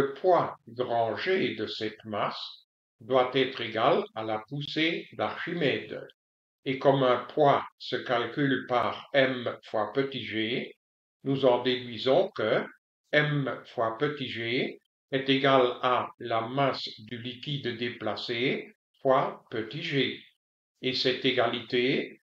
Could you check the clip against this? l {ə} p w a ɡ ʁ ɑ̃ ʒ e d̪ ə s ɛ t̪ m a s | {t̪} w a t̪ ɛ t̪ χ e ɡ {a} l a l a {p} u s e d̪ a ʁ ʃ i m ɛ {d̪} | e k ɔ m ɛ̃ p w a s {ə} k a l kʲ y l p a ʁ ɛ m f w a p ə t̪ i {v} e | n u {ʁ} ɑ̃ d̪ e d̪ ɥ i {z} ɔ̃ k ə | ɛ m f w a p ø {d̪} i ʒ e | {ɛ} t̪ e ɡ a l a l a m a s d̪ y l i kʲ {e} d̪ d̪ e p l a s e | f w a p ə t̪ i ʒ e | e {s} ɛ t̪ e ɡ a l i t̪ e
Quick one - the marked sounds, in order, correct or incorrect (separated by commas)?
correct, incorrect, correct, correct, correct, correct, incorrect, incorrect, correct, incorrect, correct, incorrect, correct